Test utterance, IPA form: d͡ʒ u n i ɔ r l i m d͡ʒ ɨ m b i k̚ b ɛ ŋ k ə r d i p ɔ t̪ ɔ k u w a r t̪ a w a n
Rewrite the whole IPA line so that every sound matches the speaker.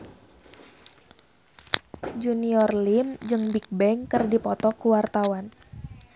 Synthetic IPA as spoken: d͡ʒ u n i ɔ r l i m d͡ʒ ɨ ŋ b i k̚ b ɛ ŋ k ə r d i p ɔ t̪ ɔ k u w a r t̪ a w a n